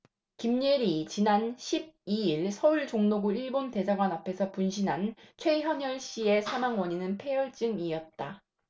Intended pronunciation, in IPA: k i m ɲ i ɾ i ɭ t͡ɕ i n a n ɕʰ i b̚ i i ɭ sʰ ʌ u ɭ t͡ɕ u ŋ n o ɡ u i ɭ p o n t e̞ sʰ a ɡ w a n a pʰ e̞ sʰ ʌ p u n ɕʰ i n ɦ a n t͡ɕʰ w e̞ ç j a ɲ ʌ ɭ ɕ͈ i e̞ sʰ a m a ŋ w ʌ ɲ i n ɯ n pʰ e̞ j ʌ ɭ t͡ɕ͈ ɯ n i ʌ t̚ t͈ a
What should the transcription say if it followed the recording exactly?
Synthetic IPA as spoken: k i m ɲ i ɾ i t͡ɕ i n a n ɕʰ i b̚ i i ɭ sʰ ʌ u ɭ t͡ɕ o ŋ n o ɡ u i ɭ b o n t e̞ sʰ a ɡ w a n a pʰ e̞ sʰ ʌ p u n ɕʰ i n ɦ a n t͡ɕʰ w e̞ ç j ʌ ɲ ʌ ɭ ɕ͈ i e̞ sʰ a m a ŋ w ʌ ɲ i n ɯ n pʰ e̞ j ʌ ɭ t͡ɕ͈ ɯ ŋ i ʌ t̚ t͈ a